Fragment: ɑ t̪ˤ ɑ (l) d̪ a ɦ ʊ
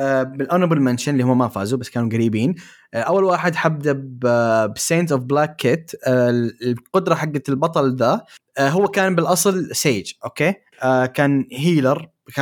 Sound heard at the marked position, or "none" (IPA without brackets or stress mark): l